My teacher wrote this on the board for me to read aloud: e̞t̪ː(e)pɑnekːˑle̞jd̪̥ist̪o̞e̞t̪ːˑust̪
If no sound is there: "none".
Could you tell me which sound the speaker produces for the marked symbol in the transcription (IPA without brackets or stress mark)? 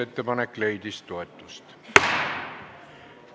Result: e